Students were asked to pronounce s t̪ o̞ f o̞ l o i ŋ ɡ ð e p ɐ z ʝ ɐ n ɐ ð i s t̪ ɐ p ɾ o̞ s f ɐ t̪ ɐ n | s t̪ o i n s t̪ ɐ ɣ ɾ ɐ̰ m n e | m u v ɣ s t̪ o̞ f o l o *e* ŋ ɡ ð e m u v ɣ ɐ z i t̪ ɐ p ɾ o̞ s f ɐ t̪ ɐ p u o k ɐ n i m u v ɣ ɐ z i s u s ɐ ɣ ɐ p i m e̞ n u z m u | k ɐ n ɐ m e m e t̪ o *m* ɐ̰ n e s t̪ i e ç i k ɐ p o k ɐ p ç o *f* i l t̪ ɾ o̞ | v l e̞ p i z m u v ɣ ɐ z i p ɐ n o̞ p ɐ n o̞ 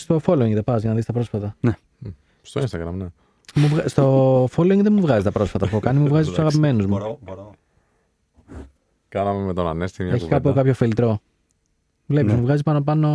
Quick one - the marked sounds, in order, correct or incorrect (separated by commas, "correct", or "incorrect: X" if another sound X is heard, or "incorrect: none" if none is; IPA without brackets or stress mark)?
incorrect: i, incorrect: n, correct